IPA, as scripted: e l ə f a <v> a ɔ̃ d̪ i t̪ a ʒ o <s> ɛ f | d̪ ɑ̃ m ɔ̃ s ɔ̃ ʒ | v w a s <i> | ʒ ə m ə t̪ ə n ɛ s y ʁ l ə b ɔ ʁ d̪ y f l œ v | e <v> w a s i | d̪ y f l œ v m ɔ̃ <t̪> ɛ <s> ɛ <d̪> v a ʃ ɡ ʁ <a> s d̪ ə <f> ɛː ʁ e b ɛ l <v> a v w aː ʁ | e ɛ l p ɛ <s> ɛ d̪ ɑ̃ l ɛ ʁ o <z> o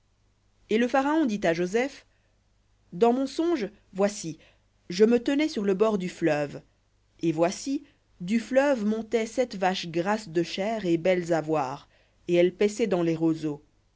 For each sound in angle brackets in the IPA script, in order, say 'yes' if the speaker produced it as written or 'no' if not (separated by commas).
no, no, yes, yes, yes, yes, no, yes, no, no, yes, yes